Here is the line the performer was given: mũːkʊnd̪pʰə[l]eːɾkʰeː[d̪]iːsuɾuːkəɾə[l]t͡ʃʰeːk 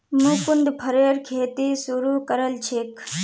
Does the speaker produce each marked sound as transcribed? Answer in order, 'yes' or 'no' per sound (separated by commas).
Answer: no, no, yes